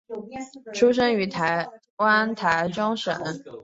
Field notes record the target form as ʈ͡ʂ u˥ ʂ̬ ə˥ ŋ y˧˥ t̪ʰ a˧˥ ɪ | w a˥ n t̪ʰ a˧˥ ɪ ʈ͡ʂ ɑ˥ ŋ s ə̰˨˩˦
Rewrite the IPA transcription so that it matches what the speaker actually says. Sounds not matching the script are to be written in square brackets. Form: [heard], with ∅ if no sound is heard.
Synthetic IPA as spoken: [ʈ͡ʂʰ] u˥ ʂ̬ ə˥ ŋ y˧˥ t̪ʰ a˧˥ ɪ | w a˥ n t̪ʰ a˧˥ ɪ ʈ͡ʂ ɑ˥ ŋ [ʂ] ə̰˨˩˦

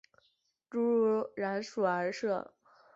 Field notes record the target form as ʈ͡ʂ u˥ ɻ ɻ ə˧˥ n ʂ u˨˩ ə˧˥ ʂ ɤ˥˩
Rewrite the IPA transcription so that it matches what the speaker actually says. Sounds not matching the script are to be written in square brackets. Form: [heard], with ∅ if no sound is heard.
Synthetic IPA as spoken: ʈ͡ʂ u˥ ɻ ɻ [a˧˥] n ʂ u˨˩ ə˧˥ ʂ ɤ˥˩

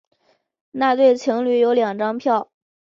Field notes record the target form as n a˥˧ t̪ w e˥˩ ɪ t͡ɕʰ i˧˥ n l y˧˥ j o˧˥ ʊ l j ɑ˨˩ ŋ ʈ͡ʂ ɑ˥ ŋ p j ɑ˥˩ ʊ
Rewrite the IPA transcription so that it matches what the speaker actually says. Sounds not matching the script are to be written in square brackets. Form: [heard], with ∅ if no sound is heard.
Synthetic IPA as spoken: n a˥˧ t̪ w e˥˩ ɪ t͡ɕʰ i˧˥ [ŋ] l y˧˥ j o˧˥ ʊ l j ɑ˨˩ ŋ ʈ͡ʂ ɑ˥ ŋ [pʰ] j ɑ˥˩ ʊ

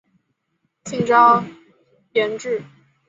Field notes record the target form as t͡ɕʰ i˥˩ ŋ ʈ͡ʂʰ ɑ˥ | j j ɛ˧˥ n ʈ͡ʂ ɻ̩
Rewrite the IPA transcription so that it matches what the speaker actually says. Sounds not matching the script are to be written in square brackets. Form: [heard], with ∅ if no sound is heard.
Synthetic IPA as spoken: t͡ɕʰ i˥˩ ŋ [ʈ͡ʂ] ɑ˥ | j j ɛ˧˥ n ʈ͡ʂ ɻ̩

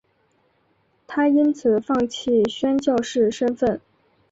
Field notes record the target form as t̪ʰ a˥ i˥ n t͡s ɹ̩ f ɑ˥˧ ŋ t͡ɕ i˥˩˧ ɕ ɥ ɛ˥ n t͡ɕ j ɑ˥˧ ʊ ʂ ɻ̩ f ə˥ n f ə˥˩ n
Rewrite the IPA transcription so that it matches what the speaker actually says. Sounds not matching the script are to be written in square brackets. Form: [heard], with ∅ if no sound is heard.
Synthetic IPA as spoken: t̪ʰ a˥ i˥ n [t͡sʰ] ɹ̩ f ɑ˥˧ ŋ [t͡ɕʰ] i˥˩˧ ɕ ɥ ɛ˥ n t͡ɕ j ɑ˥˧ ʊ ʂ ɻ̩ [ʂ] ə˥ n f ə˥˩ n

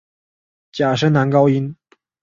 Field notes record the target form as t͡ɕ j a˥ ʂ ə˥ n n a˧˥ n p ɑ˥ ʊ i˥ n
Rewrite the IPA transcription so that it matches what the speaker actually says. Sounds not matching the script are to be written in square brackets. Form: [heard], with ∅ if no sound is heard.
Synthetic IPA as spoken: t͡ɕ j [a˨˩] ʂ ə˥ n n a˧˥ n [k] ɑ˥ ʊ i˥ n

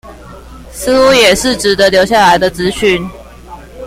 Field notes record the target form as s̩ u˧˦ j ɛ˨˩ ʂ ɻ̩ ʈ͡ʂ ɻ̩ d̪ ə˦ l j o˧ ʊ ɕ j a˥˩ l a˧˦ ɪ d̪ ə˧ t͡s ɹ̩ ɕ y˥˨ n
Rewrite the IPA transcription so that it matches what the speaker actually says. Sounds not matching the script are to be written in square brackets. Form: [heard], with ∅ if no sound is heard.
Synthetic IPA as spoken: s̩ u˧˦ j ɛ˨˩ ʂ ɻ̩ ʈ͡ʂ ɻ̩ d̪ ə˦ l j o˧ ʊ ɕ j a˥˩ l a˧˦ ɪ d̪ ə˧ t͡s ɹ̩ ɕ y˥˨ n

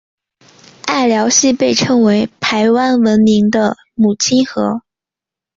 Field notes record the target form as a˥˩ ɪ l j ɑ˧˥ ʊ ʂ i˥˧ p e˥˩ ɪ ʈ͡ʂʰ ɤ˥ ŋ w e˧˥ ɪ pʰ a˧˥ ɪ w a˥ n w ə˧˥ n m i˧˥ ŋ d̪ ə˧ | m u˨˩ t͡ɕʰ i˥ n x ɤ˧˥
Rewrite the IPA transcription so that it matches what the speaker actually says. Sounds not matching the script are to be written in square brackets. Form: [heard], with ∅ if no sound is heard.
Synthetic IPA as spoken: a˥˩ ɪ l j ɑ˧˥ ʊ [ɕ] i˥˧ p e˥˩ ɪ ʈ͡ʂʰ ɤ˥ ŋ w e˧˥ ɪ pʰ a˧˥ ɪ w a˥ n w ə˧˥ n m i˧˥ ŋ d̪ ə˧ | m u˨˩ t͡ɕʰ i˥ n x ɤ˧˥

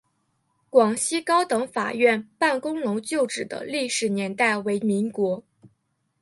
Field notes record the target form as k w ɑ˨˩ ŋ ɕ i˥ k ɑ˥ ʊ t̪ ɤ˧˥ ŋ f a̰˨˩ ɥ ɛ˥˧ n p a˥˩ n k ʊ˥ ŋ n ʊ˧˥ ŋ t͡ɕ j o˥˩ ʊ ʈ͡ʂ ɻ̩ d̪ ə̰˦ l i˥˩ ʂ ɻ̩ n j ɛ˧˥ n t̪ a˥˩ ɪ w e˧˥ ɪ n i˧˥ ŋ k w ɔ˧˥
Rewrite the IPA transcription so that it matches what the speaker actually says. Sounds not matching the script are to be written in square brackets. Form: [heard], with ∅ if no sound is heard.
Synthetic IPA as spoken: k w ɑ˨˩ ŋ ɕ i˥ k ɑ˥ ʊ t̪ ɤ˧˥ ŋ f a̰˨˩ ɥ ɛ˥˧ n p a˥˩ n k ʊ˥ ŋ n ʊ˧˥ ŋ t͡ɕ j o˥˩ ʊ ʈ͡ʂ ɻ̩ d̪ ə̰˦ l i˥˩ ʂ ɻ̩ n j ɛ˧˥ n t̪ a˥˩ ɪ w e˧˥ ɪ [m] i˧˥ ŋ k w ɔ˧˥

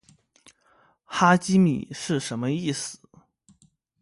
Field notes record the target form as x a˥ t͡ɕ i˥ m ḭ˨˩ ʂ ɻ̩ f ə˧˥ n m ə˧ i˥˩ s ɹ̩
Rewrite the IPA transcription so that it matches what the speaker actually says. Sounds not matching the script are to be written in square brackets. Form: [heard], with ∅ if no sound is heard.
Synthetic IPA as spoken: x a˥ t͡ɕ i˥ m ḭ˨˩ ʂ ɻ̩ [ʂ] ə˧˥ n m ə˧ i˥˩ s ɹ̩

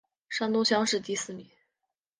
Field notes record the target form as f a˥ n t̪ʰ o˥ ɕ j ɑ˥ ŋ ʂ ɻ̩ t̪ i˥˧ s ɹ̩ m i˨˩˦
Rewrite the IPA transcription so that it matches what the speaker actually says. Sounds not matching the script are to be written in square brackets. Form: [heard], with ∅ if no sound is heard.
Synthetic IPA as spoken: [ʂ] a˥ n [t̪] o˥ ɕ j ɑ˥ ŋ ʂ ɻ̩ t̪ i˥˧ s ɹ̩ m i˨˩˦

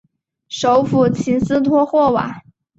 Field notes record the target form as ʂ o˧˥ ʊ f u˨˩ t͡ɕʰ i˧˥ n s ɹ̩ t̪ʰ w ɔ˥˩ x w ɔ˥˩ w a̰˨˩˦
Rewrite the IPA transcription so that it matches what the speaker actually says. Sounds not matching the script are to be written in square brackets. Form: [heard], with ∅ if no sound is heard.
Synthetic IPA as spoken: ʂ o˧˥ ʊ f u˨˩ t͡ɕʰ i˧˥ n s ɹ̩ t̪ʰ w [ɔ˥] x w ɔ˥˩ w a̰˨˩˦

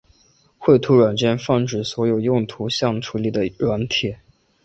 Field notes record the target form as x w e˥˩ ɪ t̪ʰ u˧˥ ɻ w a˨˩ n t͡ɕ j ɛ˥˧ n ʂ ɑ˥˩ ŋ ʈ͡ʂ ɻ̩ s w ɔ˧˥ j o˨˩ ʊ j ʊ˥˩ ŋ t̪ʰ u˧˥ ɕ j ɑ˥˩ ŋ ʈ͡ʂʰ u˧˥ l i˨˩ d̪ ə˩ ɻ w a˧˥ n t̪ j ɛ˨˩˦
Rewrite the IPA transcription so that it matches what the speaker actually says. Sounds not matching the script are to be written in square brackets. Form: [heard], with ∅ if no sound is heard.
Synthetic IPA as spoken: x w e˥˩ ɪ t̪ʰ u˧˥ ɻ w a˨˩ n t͡ɕ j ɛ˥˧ n [f] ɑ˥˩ ŋ ʈ͡ʂ ɻ̩ s w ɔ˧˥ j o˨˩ ʊ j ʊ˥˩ ŋ t̪ʰ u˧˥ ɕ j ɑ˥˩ ŋ ʈ͡ʂʰ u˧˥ l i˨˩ d̪ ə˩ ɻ w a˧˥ n [t̪ʰ] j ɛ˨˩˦

